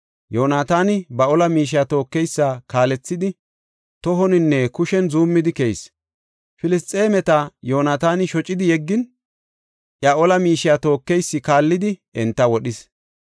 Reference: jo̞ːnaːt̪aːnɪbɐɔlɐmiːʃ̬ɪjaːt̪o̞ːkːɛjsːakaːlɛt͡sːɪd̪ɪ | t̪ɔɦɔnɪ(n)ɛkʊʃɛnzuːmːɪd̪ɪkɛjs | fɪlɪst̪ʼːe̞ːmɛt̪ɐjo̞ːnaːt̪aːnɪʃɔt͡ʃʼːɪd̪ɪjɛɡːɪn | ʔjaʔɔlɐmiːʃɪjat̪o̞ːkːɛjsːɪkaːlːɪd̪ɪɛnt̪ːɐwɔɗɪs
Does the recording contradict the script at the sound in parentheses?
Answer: yes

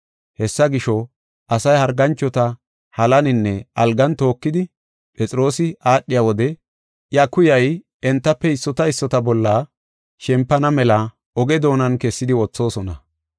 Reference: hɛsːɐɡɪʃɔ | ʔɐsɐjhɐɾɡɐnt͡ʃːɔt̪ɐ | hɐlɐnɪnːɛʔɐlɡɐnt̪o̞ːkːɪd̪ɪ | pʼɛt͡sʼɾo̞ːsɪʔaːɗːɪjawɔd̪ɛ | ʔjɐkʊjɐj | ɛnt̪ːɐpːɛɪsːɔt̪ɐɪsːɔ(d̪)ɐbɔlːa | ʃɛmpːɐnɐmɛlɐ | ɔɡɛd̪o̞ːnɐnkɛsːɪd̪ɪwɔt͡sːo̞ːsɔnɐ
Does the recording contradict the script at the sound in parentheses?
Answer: yes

